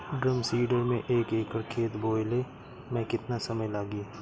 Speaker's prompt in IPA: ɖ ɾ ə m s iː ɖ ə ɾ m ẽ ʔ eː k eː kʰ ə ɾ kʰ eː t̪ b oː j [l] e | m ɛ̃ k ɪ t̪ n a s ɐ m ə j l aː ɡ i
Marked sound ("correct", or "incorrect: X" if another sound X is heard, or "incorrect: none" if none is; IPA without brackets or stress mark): correct